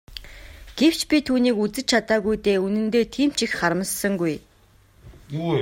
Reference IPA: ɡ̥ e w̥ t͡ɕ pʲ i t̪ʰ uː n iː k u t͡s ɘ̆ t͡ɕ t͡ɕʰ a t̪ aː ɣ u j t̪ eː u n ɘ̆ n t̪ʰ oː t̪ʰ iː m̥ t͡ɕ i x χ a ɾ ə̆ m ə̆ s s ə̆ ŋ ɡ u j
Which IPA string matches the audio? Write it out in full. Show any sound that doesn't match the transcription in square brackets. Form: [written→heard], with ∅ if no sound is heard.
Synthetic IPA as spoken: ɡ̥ e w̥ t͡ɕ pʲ i t̪ʰ uː n iː k u t͡s ɘ̆ t͡ɕ t͡ɕʰ a t̪ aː ɣ u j t̪ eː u n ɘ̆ n [t̪ʰ→t̪] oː t̪ʰ iː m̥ t͡ɕ i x χ a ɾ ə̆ m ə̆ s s ə̆ ŋ ɡ u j